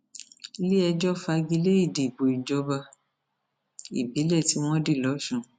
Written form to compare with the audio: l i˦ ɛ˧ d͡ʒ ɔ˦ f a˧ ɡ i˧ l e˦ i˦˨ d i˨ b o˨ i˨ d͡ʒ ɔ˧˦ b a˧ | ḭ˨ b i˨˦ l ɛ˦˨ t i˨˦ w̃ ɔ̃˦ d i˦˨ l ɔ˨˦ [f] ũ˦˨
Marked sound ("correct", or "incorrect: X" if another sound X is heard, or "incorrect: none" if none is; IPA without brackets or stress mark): incorrect: ʃ